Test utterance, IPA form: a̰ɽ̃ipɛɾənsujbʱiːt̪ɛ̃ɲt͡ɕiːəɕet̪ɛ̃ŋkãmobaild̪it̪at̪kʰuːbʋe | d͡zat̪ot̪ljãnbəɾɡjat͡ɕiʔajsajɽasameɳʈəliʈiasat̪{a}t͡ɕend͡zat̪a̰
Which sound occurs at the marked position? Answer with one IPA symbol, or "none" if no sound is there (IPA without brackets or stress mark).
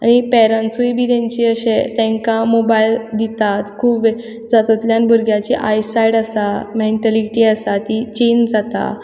i